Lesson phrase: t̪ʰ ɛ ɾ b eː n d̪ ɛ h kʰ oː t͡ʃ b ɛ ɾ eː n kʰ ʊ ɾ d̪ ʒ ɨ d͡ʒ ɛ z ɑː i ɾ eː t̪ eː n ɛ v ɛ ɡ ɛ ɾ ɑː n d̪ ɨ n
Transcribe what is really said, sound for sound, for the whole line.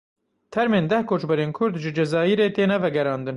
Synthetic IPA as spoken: t̪ʰ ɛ ɾ m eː n d̪ ɛ h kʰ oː t͡ʃ b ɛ ɾ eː n kʰ ʊ ɾ d̪ ʒ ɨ d͡ʒ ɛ z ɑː i ɾ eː t̪ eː n ɛ v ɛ ɡ ɛ ɾ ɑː n d̪ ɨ n